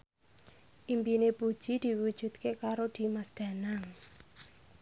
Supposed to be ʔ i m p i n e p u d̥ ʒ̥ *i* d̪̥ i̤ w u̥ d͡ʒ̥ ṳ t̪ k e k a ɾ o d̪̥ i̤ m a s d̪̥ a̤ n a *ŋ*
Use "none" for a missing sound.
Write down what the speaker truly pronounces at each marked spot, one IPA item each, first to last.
i, ŋ

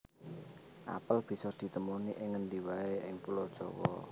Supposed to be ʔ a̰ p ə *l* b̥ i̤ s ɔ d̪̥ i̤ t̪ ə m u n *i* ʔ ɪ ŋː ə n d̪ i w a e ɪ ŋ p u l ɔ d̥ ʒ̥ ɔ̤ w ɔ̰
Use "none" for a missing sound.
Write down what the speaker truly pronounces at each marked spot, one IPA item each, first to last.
l, i

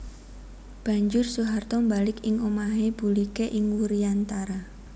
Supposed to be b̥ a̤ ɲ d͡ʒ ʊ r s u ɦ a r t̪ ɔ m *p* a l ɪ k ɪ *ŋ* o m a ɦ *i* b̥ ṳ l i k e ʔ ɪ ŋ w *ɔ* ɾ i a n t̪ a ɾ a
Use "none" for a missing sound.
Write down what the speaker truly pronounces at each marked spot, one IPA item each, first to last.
b, ŋ, e, u

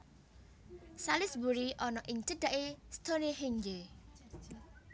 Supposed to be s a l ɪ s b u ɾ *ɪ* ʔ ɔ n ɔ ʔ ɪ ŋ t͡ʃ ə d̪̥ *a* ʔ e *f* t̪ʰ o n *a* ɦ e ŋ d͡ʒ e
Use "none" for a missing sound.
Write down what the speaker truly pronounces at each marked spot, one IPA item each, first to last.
i, a, s, e

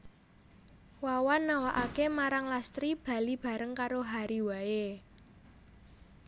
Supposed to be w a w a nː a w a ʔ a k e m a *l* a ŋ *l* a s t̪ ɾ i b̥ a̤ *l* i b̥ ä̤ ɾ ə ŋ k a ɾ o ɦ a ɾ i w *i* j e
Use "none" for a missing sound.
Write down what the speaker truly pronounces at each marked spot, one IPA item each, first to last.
ɾ, l, l, a

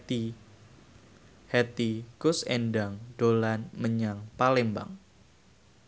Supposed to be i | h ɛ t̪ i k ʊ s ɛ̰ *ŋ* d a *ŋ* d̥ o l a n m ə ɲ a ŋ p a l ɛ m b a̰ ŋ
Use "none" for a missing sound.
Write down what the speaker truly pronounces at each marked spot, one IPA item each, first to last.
n, ŋ

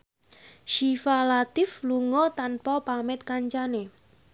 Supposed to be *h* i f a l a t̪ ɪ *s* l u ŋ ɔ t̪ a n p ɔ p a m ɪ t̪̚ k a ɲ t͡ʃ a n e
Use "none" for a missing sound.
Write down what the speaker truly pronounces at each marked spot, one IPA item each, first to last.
ʃ, f

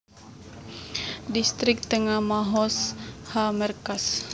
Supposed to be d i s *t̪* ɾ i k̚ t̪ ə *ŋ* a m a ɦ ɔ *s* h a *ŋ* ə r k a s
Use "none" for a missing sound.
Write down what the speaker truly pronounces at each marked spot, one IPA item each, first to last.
t̪, ŋ, s, m

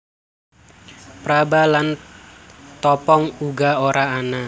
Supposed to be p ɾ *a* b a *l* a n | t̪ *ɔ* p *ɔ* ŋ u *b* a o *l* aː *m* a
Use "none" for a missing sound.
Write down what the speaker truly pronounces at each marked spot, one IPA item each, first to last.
a, l, ɔ, ɔ, ɡ, ɾ, n

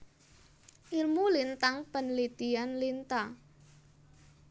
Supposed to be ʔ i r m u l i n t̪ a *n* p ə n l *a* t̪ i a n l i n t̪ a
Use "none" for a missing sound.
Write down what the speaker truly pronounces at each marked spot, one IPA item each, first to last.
ŋ, i

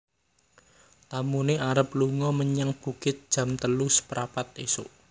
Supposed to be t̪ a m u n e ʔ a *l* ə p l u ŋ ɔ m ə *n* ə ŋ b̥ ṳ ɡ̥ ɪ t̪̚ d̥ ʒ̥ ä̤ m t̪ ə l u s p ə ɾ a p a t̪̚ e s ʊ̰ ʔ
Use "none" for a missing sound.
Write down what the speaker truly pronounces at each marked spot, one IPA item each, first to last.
ɾ, ɲ

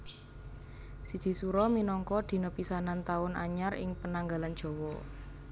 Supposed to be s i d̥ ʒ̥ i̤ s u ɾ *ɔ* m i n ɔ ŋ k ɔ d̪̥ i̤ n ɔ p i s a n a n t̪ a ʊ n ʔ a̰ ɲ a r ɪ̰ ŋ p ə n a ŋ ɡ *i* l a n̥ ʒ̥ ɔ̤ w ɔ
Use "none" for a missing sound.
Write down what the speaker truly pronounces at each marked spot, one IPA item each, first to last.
ɔ, a

